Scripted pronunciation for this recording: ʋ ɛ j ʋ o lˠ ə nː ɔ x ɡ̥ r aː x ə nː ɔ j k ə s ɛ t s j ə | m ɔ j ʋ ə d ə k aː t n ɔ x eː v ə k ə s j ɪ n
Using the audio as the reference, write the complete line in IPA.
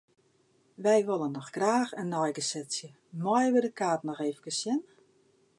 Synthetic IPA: ʋ ɛ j ʋ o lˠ ə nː ɔ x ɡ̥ r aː x ə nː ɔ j ɡ ə s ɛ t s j ə | m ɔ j ʋ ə d ə k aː t n ɔ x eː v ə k ə s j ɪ n